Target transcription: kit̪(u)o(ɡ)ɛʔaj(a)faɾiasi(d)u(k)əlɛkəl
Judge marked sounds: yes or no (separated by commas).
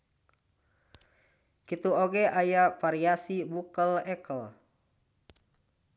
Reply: yes, yes, yes, no, yes